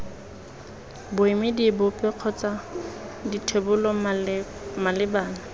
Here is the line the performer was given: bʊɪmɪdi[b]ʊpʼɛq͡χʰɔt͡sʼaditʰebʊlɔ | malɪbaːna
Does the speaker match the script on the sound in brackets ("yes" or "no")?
yes